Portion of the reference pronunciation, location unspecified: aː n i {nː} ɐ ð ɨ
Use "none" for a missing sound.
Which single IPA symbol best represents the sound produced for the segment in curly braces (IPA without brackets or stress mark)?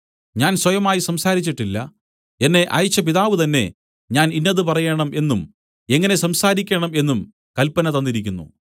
nː